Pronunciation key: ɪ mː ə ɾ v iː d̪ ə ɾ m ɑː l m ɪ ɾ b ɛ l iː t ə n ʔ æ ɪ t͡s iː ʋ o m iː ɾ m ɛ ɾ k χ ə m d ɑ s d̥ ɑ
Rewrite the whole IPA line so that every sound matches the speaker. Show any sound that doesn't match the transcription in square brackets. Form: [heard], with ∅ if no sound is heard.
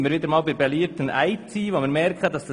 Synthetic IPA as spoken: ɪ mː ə ɾ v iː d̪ ə ɾ m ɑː l [b] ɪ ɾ b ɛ l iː t ə n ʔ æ ɪ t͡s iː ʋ o m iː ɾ m ɛ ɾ k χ ə [∅] d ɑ s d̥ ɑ